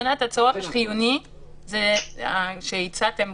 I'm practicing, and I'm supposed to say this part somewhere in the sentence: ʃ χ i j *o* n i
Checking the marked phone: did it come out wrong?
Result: yes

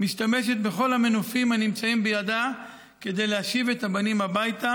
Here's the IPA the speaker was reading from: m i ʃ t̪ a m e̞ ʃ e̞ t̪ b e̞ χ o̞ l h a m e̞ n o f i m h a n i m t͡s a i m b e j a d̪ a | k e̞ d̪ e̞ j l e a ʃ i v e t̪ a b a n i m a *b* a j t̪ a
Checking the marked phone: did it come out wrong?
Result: no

